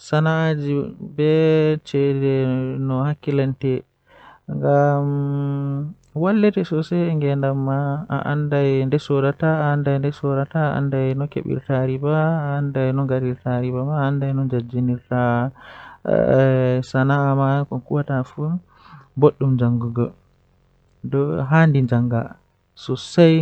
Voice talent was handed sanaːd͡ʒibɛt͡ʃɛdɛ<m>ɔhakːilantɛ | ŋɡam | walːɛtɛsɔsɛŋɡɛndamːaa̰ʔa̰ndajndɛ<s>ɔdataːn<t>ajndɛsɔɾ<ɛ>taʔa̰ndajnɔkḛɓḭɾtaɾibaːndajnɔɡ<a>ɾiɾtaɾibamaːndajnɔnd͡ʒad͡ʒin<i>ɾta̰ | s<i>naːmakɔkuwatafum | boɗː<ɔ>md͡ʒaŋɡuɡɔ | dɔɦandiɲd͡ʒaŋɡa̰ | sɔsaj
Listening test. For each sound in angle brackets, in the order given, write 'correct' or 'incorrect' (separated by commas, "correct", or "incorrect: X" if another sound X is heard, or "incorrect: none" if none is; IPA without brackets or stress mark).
incorrect: n, correct, incorrect: d, incorrect: a, correct, correct, incorrect: a, incorrect: u